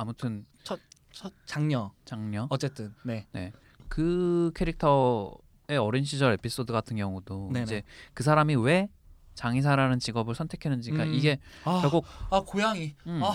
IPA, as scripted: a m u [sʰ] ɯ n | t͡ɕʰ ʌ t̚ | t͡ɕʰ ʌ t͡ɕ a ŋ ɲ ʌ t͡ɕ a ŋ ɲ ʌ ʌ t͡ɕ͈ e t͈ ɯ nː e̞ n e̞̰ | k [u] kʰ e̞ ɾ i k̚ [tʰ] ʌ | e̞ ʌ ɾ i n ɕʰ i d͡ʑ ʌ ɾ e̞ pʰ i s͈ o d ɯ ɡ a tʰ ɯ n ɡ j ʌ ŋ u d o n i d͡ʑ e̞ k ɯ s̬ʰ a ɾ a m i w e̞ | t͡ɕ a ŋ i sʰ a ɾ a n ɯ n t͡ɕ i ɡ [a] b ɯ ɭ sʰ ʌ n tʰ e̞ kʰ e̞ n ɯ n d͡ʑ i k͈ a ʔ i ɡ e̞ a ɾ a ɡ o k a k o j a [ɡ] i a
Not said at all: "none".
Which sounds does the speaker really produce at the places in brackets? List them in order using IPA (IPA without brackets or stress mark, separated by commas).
tʰ, ɯ, tʰ, ʌ, ŋ